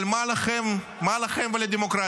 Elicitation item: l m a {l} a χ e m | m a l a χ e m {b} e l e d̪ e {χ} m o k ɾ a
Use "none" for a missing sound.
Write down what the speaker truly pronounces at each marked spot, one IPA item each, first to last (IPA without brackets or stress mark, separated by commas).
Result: l, v, none